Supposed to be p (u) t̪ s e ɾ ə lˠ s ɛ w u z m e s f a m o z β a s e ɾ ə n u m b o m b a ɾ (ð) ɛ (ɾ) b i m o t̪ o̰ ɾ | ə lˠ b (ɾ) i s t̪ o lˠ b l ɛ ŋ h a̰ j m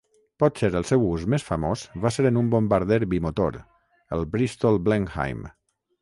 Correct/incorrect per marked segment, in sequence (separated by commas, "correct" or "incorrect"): incorrect, correct, correct, correct